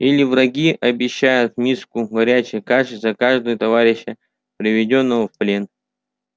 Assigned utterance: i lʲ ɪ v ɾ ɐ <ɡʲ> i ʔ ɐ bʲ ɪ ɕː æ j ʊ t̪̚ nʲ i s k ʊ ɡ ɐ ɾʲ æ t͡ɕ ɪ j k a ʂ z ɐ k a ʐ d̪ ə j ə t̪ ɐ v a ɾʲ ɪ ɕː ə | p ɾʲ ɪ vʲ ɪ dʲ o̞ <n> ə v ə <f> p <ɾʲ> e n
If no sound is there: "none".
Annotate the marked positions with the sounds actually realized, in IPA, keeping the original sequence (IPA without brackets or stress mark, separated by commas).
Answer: ɡʲ, nː, f, lʲ